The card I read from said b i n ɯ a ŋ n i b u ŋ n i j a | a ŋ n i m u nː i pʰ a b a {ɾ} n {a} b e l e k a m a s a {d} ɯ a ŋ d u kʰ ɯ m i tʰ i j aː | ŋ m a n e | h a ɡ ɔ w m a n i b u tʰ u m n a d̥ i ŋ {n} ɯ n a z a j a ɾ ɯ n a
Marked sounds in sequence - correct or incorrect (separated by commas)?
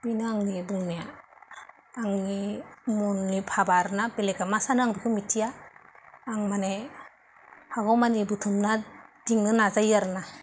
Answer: correct, correct, incorrect, correct